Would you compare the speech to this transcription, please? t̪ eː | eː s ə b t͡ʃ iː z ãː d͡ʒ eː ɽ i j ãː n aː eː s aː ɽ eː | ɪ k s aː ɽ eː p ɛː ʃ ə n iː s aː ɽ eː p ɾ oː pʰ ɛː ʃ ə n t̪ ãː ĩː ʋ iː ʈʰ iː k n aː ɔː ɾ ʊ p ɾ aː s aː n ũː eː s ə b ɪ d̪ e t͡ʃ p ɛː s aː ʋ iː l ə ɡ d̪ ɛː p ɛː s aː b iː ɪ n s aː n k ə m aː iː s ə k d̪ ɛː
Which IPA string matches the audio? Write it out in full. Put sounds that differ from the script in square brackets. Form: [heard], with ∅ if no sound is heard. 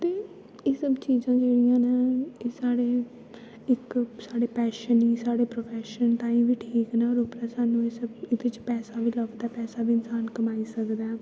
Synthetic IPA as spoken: t̪ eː | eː s ə b t͡ʃ iː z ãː d͡ʒ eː ɽ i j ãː n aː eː s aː ɽ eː | ɪ k s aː ɽ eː p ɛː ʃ ə n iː s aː ɽ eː p ɾ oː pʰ ɛː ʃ ə n t̪ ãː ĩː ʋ iː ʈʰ iː k n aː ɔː ɾ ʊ p ɾ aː s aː n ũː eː s ə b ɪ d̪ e t͡ʃ p ɛː s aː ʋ iː l ə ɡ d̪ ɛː p ɛː s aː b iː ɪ n s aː n k ə m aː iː s ə k d̪ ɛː